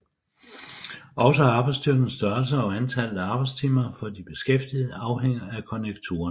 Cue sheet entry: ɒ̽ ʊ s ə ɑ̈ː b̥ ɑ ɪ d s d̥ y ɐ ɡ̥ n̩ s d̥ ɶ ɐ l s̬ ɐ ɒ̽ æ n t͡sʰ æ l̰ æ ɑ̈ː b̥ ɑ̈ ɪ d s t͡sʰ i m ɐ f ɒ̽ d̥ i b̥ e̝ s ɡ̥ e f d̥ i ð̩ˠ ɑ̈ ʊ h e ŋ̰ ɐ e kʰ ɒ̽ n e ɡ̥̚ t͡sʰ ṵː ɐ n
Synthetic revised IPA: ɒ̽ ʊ s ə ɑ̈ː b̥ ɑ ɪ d s d̥ y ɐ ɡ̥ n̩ s d̥ ɶ ɐ l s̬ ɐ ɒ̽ æ n t͡sʰ æ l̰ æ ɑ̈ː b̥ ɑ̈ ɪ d s t͡sʰ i m ɐ f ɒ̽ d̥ i b̥ e̝ s ɡ̥ e f d̥ i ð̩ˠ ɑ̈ ʊ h e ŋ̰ ɐ æ kʰ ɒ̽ n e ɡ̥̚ t͡sʰ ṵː ɐ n